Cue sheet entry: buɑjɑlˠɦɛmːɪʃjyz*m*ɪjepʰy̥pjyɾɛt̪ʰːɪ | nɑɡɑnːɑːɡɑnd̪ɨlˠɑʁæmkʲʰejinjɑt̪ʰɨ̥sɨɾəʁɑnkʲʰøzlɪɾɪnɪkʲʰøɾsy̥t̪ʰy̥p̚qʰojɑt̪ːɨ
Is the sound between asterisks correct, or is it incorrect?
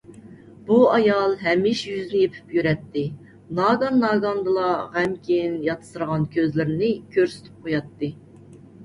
incorrect